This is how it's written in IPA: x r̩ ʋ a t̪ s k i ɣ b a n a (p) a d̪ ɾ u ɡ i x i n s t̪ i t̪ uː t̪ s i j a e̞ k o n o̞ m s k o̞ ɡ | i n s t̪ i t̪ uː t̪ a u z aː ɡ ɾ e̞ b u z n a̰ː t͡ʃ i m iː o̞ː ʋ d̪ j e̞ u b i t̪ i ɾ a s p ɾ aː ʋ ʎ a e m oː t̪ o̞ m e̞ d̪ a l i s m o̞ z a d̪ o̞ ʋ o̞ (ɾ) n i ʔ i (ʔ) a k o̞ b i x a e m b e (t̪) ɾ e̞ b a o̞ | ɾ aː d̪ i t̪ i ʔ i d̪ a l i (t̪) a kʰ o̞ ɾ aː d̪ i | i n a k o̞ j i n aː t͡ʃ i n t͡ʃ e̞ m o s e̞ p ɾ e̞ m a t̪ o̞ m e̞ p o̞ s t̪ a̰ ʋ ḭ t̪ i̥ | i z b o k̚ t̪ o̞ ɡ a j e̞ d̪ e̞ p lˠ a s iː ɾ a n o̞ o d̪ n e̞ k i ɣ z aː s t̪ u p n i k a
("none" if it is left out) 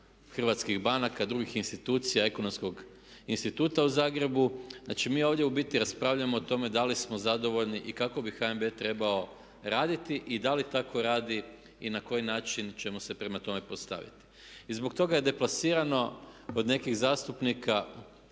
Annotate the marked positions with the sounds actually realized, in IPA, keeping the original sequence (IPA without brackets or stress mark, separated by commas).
k, ʎ, k, t̪, t̪